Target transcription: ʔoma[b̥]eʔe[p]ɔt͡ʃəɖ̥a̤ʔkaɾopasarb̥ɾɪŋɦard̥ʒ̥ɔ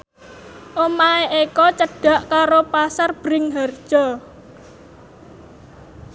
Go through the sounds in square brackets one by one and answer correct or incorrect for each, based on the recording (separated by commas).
incorrect, incorrect